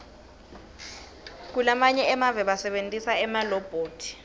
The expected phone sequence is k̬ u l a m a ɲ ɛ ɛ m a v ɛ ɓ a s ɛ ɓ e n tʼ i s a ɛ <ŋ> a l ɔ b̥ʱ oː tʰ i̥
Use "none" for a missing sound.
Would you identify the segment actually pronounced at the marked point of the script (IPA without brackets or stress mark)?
m